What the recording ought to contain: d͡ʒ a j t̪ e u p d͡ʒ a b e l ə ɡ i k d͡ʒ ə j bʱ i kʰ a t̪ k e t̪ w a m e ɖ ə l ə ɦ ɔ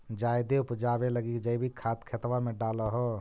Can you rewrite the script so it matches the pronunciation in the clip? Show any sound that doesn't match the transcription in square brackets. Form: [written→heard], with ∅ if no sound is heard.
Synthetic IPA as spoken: d͡ʒ a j [t̪→d̪] e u p d͡ʒ a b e l ə ɡ i k d͡ʒ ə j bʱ i kʰ a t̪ [k→kʰ] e t̪ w a m e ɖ [ə→a] l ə ɦ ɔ